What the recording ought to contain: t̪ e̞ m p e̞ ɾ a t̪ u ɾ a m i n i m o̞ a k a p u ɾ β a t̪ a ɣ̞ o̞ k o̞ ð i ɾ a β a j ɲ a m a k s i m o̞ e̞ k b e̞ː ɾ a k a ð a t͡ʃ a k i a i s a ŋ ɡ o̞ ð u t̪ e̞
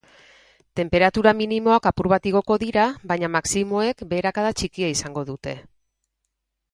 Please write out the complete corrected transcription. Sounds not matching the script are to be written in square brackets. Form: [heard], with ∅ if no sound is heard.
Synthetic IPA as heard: t̪ e̞ m p e̞ ɾ a t̪ u ɾ a m i n i m o̞ a k a p u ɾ β a t̪ [i] ɣ̞ o̞ k o̞ ð i ɾ a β a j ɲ a m a k s i m o̞ e̞ k b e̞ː ɾ a k a ð a t͡ʃ [i] k i a i s a ŋ ɡ o̞ ð u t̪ e̞

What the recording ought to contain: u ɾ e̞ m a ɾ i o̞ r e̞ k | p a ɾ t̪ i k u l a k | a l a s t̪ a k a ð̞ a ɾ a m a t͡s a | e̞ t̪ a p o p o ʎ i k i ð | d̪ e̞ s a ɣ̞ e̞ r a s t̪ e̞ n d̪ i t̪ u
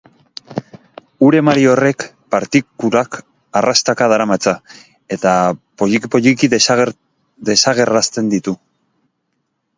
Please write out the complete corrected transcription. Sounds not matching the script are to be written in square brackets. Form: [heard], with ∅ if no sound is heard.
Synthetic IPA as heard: u ɾ e̞ m a ɾ i o̞ r e̞ k | p a ɾ t̪ i k u l a k | a [r] a s t̪ a k a ð̞ a ɾ a m a t͡s a | e̞ t̪ a p o p o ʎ i k i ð | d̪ e̞ s a ɣ̞ e̞ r a s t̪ e̞ n d̪ i t̪ u

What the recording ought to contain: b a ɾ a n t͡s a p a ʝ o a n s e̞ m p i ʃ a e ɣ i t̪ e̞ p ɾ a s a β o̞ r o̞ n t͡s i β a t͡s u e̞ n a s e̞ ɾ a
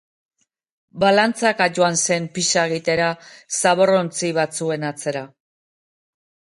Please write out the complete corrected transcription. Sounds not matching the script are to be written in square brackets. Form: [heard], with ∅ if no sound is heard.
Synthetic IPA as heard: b a [l] a n t͡s a [k] a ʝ o a n s e̞ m p i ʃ a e ɣ i t̪ e̞ [∅] ɾ a s a β o̞ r o̞ n t͡s i β a t͡s u e̞ n a [t͡s] e̞ ɾ a

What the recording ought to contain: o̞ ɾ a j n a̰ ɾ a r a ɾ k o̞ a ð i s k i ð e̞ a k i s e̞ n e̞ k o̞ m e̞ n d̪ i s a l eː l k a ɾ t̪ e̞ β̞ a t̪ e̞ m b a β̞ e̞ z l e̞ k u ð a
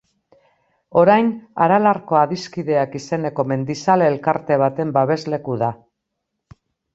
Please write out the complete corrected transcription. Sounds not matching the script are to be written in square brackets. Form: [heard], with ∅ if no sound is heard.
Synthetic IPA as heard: o̞ ɾ a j n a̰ ɾ a [l] a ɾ k o̞ a ð i s k i ð e̞ a k i s e̞ n e̞ k o̞ m e̞ n d̪ i s a l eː l k a ɾ t̪ e̞ β̞ a t̪ e̞ m b a β̞ e̞ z l e̞ k u ð a

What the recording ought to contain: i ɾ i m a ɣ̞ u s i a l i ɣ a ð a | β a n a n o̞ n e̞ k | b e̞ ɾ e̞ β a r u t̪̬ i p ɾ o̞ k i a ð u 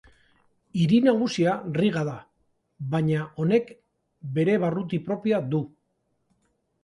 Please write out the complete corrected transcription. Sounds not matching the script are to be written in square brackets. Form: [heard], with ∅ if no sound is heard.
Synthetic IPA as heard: i ɾ i [n] a ɣ̞ u s i a [r] i ɣ a ð a | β a [ɲ] a [∅] o̞ n e̞ k | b e̞ ɾ e̞ β a r u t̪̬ i p ɾ o̞ [p] i a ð u

